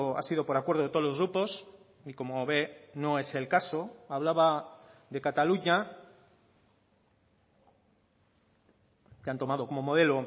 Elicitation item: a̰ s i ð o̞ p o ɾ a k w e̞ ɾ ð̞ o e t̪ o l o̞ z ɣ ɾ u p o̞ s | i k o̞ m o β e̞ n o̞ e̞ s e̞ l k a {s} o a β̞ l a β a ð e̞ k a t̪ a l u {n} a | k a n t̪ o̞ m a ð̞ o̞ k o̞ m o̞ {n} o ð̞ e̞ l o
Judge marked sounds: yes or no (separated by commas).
yes, no, no